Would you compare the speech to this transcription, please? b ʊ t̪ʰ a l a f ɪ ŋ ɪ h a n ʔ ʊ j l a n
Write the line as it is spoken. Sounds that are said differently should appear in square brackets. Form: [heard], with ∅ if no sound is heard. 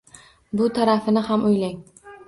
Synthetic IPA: b ʊ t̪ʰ a [ɾ] a f ɪ [n] ɪ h a [m] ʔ ʊ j l a [ŋ]